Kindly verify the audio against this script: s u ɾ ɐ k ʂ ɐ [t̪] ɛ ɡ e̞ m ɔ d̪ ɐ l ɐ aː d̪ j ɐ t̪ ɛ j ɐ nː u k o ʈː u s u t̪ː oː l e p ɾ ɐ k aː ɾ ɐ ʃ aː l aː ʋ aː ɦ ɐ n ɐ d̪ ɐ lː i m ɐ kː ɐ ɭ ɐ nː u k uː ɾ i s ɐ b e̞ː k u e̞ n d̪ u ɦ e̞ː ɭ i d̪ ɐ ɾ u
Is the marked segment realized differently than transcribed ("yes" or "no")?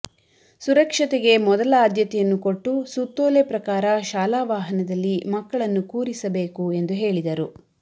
no